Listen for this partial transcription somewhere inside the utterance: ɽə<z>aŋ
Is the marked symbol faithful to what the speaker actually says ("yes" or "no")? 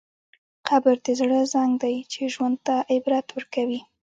yes